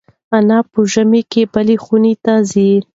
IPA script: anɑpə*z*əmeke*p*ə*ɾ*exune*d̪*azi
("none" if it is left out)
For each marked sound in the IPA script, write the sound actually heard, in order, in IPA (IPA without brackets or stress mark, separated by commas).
ʒ, b, l, t̪